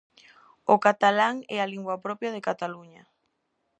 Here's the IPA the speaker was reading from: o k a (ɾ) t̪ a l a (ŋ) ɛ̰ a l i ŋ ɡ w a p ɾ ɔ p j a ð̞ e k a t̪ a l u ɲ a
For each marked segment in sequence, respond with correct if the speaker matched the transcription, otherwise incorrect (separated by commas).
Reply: incorrect, correct